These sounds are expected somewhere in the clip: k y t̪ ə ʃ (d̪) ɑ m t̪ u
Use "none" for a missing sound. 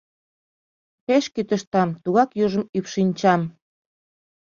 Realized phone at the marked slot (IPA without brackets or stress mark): t̪